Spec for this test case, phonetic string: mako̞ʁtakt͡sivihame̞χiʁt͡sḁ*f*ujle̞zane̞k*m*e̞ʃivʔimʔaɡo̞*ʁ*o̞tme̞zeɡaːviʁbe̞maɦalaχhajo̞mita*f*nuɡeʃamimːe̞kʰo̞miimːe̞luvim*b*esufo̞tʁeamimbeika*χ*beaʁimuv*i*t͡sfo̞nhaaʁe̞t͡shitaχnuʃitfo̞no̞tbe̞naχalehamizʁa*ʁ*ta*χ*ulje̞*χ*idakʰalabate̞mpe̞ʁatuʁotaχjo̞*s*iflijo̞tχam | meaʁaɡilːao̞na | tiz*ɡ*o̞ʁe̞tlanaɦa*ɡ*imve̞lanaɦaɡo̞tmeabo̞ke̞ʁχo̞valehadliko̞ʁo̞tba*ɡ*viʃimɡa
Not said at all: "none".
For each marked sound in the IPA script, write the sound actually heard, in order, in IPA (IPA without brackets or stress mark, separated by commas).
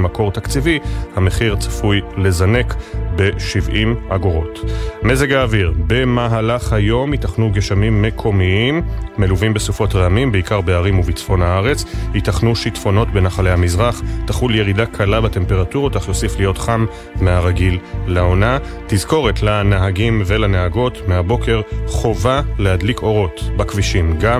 f, b, ʁ, χ, b, ʁ, i, χ, χ, ʁ, s, k, ɡ, k